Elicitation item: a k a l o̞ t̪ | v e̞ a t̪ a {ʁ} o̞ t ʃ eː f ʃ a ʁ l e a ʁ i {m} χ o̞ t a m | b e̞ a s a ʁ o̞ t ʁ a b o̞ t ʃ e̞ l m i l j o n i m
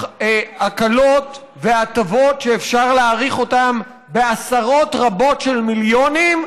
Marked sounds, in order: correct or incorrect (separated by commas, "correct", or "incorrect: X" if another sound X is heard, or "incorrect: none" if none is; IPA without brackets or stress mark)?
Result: incorrect: v, incorrect: none